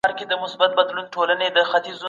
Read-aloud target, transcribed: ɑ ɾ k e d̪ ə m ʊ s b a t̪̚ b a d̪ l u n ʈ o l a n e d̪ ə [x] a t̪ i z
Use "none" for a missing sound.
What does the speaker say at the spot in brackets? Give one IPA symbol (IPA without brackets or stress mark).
x